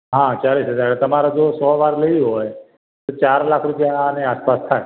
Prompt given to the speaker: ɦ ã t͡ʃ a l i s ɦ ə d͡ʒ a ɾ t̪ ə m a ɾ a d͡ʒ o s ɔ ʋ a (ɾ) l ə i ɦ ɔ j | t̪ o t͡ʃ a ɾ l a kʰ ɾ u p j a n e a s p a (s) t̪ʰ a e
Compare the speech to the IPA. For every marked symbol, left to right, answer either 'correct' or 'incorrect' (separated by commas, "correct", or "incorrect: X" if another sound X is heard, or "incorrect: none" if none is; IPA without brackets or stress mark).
correct, correct